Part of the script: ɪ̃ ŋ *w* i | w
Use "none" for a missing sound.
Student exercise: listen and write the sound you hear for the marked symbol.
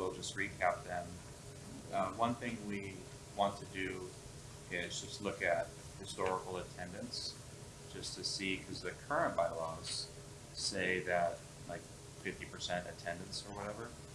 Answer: w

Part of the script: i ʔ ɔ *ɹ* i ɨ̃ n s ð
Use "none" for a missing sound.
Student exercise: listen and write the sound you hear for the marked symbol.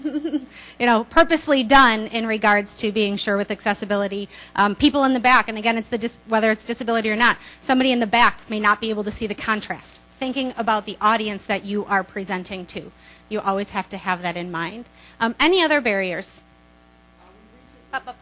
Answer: ɾ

